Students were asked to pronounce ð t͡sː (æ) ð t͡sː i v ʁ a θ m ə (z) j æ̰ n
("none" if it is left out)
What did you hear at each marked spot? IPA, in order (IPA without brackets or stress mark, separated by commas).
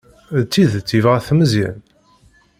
i, z